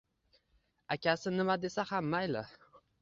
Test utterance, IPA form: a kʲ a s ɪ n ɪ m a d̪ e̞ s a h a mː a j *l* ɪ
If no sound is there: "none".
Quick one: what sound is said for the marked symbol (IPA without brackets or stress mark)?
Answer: l